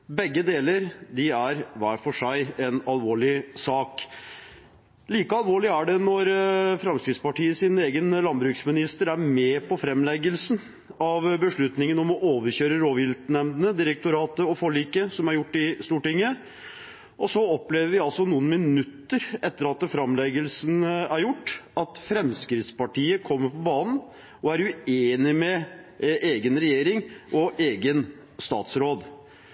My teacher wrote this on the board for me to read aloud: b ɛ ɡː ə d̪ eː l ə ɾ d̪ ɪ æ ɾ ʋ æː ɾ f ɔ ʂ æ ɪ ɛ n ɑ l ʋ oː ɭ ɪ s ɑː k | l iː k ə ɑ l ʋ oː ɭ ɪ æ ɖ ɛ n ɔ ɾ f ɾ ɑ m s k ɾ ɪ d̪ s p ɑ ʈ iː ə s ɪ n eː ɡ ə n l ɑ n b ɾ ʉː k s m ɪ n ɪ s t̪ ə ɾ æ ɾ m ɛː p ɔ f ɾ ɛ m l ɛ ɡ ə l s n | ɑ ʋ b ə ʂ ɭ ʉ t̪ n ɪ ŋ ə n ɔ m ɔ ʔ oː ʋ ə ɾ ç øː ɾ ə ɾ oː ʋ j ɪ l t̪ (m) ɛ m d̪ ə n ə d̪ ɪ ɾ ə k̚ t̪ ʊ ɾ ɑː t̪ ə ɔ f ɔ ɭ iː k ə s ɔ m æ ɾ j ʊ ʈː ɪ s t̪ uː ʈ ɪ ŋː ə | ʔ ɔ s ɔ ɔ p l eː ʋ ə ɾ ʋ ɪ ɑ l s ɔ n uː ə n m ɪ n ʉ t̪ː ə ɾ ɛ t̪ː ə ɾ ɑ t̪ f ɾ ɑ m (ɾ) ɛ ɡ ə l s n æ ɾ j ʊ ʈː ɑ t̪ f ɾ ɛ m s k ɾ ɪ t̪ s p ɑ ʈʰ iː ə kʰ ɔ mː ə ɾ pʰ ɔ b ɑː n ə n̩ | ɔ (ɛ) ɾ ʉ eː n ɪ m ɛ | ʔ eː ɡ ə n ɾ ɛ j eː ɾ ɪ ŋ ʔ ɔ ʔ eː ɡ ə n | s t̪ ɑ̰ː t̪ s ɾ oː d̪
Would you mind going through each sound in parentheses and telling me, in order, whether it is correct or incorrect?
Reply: incorrect: n, incorrect: l, incorrect: æ

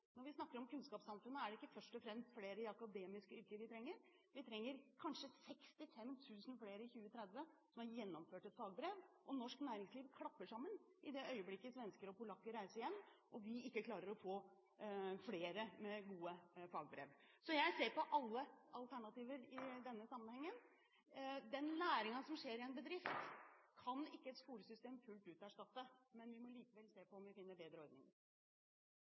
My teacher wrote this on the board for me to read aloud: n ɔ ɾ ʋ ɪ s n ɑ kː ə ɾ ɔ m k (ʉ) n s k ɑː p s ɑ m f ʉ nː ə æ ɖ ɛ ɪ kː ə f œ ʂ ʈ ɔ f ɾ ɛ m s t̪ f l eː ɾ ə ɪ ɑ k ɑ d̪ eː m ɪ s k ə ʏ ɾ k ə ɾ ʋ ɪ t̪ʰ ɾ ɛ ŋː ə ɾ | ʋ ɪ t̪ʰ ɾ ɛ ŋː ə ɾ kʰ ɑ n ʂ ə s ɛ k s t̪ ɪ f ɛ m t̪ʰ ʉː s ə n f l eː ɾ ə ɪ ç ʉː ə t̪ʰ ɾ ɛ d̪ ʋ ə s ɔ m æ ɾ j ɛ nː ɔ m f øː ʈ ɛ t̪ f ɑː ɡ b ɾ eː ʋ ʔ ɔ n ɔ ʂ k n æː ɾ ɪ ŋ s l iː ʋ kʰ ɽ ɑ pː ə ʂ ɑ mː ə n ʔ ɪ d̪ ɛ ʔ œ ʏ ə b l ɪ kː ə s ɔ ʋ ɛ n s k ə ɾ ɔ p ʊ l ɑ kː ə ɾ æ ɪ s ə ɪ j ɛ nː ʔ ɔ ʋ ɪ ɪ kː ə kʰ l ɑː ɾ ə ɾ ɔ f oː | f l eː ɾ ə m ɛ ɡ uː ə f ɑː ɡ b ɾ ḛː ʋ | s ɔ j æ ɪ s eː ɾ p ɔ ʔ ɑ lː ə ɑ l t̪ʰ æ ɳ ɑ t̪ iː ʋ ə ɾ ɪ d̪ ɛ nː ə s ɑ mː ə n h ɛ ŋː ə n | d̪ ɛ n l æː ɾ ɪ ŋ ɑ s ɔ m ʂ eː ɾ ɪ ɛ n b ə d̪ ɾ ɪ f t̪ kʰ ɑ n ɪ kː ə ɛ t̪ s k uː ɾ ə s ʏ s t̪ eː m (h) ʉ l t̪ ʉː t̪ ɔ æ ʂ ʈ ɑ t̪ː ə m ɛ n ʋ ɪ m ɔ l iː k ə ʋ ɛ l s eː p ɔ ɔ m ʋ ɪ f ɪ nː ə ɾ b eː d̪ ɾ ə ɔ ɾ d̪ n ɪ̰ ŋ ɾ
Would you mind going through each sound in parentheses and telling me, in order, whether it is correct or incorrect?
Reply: correct, incorrect: f

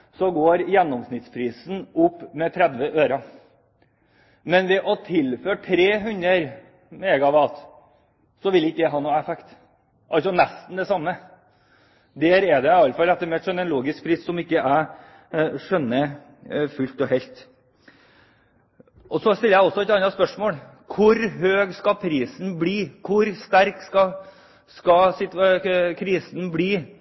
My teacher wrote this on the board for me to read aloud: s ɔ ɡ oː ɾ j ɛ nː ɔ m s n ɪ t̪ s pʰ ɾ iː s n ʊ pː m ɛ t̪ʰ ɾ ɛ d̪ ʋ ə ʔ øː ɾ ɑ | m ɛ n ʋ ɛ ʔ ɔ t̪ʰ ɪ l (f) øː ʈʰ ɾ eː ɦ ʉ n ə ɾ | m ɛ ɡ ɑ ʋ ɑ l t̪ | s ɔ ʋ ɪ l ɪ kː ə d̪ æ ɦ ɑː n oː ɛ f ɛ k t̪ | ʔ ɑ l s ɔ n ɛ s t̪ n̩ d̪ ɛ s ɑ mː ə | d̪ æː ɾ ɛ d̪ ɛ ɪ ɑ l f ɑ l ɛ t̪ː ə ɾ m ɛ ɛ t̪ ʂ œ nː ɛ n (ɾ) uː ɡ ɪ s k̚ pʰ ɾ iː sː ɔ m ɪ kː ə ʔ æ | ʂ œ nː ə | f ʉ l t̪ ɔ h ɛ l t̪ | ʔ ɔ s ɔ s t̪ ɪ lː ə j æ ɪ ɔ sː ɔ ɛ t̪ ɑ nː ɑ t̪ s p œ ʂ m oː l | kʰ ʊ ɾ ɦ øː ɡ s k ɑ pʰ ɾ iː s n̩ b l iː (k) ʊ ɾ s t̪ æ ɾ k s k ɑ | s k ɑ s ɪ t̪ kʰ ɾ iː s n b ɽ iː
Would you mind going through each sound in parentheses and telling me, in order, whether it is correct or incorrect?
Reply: correct, incorrect: l, incorrect: kʰ

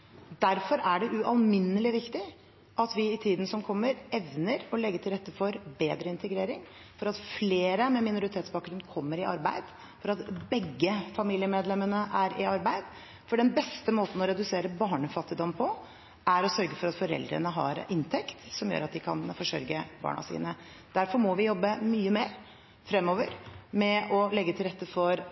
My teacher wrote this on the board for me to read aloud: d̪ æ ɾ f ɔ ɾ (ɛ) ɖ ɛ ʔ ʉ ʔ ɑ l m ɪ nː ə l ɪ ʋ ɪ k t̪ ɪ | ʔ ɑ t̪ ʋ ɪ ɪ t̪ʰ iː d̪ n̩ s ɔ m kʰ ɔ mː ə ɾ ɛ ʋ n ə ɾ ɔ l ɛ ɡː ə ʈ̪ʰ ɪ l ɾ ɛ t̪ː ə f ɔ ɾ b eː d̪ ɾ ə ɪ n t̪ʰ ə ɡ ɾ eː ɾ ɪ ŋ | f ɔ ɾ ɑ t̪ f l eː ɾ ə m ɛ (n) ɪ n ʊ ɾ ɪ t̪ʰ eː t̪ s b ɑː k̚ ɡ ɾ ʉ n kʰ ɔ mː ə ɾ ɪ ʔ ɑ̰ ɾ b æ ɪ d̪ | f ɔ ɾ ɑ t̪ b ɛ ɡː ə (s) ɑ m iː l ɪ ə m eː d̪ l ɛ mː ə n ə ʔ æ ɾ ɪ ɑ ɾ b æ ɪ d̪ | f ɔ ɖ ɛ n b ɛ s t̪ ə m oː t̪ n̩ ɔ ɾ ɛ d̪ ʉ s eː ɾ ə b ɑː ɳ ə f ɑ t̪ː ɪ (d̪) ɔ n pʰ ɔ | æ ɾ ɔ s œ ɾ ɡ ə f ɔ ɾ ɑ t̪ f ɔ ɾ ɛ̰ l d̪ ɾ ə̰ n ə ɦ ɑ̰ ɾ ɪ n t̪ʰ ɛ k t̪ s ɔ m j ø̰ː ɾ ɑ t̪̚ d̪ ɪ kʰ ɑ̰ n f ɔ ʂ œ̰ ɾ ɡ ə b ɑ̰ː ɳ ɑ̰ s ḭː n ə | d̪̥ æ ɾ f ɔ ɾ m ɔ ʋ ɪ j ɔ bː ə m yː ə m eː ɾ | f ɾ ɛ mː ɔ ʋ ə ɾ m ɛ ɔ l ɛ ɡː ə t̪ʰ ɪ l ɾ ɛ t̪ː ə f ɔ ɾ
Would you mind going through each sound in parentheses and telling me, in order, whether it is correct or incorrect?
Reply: incorrect: æ, incorrect: m, incorrect: f, correct

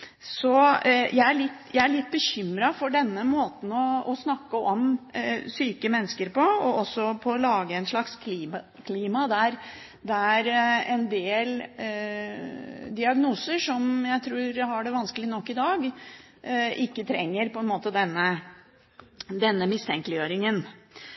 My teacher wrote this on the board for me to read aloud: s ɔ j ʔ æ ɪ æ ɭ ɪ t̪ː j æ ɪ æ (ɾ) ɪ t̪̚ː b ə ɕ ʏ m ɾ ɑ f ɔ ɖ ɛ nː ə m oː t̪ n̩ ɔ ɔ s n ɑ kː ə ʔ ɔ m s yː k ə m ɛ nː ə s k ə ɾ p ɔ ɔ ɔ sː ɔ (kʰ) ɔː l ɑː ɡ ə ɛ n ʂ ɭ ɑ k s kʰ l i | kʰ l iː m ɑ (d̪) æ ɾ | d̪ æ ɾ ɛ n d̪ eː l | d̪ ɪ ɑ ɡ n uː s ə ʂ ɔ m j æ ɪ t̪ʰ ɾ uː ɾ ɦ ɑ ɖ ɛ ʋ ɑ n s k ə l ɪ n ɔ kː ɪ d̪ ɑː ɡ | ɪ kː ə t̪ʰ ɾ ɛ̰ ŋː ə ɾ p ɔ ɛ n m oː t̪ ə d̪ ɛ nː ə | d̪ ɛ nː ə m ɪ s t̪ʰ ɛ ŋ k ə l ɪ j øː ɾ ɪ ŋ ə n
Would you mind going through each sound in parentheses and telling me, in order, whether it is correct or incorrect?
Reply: incorrect: ɭ, incorrect: pʰ, correct

